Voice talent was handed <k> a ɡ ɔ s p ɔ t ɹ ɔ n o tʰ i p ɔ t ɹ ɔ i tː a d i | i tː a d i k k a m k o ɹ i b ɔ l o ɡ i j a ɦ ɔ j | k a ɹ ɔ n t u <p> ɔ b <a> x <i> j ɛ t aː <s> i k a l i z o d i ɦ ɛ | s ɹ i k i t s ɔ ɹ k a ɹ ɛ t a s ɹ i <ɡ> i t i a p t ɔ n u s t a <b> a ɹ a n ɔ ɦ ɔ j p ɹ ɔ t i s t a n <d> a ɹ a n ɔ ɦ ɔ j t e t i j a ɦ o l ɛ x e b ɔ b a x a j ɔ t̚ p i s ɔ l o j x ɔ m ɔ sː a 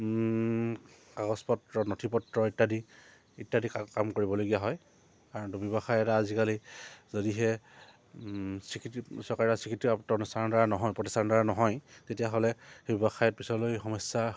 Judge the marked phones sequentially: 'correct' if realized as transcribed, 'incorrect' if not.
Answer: correct, incorrect: b, correct, incorrect: a, incorrect: z, incorrect: k, incorrect: d, correct

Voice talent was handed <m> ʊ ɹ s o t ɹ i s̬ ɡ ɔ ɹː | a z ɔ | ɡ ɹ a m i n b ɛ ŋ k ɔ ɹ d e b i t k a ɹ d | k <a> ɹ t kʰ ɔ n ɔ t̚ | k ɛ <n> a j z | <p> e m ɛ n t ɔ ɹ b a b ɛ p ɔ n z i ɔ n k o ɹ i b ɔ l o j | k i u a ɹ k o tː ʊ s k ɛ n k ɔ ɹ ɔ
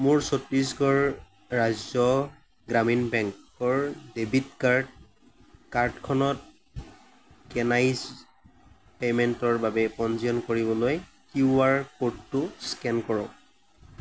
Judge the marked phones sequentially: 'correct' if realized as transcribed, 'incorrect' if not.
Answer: correct, correct, correct, correct

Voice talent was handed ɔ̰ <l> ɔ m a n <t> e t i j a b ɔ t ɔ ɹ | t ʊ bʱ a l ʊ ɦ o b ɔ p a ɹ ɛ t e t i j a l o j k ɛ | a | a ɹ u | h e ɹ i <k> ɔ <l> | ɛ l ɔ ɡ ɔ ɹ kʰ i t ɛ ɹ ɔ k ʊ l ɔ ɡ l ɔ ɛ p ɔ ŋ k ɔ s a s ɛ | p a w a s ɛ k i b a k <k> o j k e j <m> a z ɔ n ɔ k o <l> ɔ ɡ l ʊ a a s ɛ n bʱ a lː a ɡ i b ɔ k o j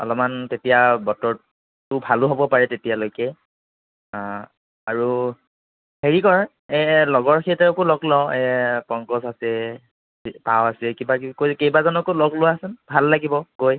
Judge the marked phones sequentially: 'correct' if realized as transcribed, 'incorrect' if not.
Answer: correct, correct, correct, incorrect: ɹ, correct, incorrect: b, correct

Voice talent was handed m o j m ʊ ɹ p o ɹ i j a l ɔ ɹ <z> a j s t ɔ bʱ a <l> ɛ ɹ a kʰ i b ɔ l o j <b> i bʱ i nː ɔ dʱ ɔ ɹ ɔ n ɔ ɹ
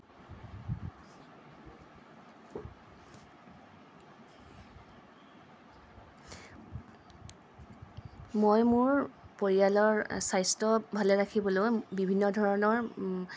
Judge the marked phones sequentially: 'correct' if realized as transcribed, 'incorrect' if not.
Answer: incorrect: s, correct, correct

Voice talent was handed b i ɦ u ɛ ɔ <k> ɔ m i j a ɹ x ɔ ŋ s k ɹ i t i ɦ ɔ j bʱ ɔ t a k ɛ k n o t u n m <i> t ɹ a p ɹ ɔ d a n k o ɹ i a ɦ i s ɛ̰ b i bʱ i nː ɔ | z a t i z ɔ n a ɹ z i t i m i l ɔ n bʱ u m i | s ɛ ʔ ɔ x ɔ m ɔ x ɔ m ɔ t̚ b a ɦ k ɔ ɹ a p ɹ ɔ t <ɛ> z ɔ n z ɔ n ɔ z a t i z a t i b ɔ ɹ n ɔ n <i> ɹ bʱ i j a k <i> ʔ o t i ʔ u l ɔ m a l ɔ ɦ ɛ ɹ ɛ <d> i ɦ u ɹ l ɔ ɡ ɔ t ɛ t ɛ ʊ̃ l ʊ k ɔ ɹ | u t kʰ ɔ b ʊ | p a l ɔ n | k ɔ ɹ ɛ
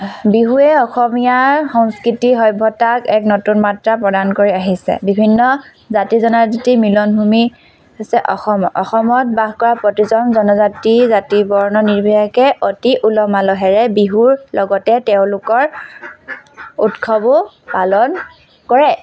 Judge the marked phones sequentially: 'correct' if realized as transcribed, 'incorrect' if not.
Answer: incorrect: x, incorrect: a, incorrect: i, correct, incorrect: ɛ, incorrect: b

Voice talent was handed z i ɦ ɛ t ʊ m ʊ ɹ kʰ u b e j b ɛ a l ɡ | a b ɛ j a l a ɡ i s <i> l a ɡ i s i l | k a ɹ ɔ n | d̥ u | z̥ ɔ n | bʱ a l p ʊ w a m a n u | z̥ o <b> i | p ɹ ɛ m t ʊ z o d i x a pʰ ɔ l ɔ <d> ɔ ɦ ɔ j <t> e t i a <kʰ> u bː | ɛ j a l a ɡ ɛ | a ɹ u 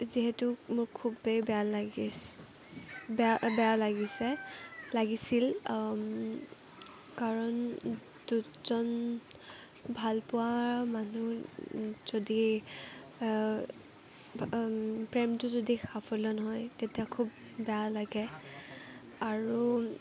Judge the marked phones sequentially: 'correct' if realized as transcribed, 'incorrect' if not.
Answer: incorrect: ɛ, incorrect: d, incorrect: n, correct, correct

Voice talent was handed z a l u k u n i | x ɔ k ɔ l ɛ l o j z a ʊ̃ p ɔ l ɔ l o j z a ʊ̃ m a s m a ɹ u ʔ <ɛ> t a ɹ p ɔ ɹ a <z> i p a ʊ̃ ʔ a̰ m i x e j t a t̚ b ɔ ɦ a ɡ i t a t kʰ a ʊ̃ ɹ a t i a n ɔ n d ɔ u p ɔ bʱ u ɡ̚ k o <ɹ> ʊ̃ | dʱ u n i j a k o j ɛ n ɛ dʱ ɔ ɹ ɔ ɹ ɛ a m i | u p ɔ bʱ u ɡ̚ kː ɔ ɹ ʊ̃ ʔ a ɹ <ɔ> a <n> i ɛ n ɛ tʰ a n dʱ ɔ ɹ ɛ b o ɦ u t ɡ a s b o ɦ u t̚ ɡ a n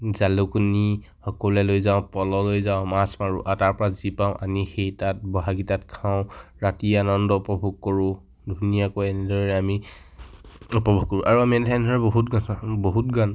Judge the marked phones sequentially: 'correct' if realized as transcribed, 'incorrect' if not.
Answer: incorrect: a, correct, correct, incorrect: u, incorrect: m

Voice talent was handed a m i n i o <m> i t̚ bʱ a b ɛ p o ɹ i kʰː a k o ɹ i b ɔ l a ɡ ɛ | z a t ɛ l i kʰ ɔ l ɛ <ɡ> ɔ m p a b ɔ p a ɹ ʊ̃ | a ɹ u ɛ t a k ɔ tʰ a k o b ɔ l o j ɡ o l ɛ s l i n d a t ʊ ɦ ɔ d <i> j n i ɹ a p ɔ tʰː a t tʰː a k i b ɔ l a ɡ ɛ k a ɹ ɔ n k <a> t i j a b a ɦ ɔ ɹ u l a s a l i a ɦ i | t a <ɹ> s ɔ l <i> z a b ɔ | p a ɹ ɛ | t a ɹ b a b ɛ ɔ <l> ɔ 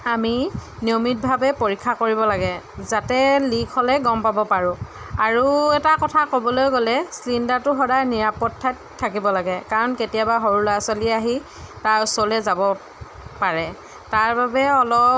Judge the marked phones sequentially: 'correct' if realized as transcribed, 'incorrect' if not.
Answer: correct, correct, incorrect: a, incorrect: e, correct, incorrect: ɛ, correct

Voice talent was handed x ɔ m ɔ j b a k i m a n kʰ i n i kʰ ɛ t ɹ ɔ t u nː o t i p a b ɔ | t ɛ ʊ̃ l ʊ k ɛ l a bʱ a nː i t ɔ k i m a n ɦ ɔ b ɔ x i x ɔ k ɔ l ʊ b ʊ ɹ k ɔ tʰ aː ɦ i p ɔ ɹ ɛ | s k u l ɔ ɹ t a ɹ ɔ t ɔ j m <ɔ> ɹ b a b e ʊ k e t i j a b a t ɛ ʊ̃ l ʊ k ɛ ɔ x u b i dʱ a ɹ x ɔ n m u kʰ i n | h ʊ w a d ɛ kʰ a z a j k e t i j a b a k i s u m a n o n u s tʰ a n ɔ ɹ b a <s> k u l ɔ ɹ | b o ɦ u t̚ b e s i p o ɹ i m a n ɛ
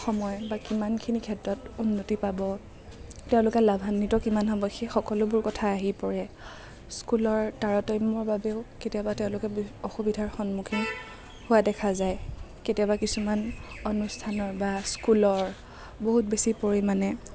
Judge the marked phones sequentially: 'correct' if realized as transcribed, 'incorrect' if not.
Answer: correct, correct

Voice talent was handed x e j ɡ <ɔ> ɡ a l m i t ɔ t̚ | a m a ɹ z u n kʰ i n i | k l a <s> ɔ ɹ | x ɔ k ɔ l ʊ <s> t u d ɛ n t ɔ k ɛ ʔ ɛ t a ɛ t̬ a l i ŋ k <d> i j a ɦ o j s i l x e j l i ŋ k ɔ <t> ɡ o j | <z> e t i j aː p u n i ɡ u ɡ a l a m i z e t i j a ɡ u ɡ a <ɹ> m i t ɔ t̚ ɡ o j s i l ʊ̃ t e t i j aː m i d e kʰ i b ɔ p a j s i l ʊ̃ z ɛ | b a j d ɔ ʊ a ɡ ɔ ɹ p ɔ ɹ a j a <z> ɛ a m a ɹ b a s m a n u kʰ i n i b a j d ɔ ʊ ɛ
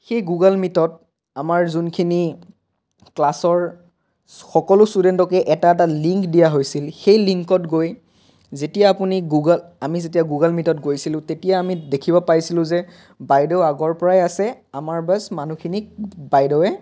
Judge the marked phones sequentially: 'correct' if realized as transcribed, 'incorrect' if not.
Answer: incorrect: u, correct, correct, correct, correct, correct, incorrect: l, incorrect: s

